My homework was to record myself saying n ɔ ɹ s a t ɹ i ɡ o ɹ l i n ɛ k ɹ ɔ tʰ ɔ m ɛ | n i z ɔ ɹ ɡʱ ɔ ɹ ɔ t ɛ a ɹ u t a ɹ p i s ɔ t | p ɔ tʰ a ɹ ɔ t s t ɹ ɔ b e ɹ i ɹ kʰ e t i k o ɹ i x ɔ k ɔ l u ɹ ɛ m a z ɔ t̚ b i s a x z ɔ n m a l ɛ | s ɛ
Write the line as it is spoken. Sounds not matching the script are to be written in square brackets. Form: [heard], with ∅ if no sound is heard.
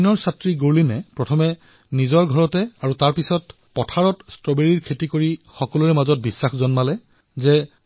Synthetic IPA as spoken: n ɔ ɹ s a t ɹ i ɡ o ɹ l i n ɛ [p] ɹ ɔ tʰ ɔ m ɛ | n i z ɔ ɹ ɡʱ ɔ ɹ ɔ t ɛ a ɹ u t a ɹ p i s ɔ t | p ɔ tʰ a ɹ ɔ t s t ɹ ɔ b e ɹ i ɹ kʰ e t i k o ɹ i x ɔ k ɔ l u ɹ ɛ m a z ɔ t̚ b i [sː] a x z ɔ n m a l ɛ | [z] ɛ